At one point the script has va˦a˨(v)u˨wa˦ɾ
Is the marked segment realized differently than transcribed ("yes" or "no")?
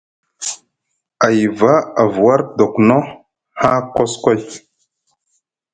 no